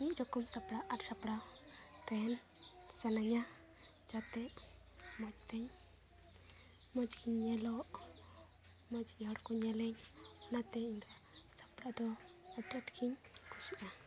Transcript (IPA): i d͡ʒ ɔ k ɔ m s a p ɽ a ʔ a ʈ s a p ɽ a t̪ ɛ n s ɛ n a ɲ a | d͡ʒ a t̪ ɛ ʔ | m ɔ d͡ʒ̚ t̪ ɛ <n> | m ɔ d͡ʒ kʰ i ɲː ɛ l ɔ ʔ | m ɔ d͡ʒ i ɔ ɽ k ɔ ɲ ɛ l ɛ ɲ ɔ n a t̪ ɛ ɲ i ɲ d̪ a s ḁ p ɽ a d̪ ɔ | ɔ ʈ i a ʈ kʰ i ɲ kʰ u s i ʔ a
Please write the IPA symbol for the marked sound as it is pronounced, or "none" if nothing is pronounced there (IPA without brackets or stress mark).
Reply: ɲ